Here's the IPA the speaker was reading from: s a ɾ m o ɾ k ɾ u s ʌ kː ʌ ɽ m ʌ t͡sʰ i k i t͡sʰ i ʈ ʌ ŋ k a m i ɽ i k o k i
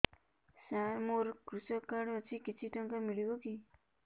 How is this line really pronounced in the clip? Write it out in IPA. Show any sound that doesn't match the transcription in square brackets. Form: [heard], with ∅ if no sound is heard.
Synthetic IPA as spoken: s a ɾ m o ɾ k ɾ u s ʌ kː [a] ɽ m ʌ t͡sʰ i k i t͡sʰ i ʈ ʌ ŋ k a m i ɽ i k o k i